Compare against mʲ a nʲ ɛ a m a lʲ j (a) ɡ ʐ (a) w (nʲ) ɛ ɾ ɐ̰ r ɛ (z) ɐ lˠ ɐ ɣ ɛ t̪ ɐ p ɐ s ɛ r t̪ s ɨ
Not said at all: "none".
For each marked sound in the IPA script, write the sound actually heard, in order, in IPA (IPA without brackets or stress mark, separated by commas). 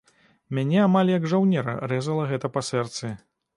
ɐ, a, nʲ, z